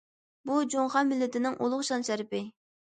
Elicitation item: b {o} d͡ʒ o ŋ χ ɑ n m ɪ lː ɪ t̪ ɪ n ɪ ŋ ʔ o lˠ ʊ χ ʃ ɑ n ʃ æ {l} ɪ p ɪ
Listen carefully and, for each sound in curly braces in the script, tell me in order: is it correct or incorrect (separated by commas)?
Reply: incorrect, incorrect